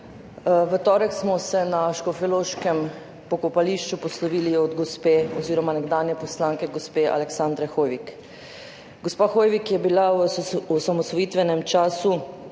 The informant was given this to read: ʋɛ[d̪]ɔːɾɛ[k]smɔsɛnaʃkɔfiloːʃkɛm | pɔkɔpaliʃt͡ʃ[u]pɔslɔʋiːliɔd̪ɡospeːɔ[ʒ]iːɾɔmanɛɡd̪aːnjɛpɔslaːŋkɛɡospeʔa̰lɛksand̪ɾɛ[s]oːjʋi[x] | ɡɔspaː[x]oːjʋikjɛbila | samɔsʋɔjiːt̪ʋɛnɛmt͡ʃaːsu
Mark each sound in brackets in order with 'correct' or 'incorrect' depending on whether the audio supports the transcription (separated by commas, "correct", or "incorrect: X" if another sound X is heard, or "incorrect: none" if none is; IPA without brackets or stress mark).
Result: incorrect: t̪, correct, correct, incorrect: z, incorrect: x, incorrect: k, correct